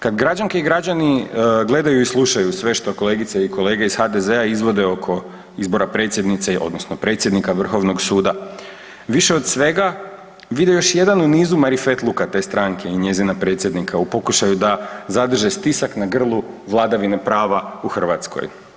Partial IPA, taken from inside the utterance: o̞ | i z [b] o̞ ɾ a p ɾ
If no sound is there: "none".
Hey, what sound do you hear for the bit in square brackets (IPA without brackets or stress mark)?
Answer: b